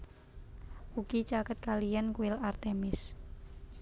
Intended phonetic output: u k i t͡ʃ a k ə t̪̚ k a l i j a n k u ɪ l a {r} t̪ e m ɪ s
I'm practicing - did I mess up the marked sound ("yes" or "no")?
no